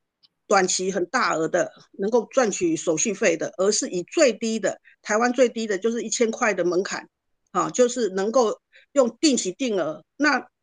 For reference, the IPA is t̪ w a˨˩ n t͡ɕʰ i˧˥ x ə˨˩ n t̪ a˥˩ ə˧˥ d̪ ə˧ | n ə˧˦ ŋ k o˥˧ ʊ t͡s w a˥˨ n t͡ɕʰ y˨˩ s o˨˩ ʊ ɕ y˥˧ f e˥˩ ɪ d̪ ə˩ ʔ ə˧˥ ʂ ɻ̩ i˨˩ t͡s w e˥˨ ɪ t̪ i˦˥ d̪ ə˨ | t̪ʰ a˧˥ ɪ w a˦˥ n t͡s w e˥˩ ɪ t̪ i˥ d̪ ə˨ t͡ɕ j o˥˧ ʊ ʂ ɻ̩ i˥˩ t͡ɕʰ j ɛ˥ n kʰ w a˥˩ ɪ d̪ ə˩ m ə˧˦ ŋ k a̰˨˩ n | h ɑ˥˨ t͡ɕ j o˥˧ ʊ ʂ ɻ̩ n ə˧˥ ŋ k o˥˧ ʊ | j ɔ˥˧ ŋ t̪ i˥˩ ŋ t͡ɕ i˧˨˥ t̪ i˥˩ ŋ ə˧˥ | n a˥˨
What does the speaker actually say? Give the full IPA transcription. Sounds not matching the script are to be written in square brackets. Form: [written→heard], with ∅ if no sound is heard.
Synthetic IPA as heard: t̪ w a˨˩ n t͡ɕʰ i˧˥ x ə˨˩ n t̪ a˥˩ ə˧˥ d̪ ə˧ | n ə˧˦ ŋ k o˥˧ ʊ t͡s w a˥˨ n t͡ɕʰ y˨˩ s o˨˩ ʊ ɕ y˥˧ f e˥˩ ɪ d̪ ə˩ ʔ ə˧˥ ʂ ɻ̩ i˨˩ t͡s w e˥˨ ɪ t̪ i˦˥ d̪ ə˨ | t̪ʰ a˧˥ ɪ w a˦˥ n t͡s w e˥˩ ɪ t̪ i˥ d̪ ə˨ t͡ɕ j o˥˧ ʊ ʂ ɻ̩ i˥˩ t͡ɕʰ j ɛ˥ n kʰ w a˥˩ ɪ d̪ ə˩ m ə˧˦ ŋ [k→kʰ] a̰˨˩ n | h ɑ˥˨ t͡ɕ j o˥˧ ʊ ʂ ɻ̩ n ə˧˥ ŋ k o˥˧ ʊ | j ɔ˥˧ ŋ t̪ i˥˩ ŋ [t͡ɕ→t͡ɕʰ] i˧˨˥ t̪ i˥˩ ŋ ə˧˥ | n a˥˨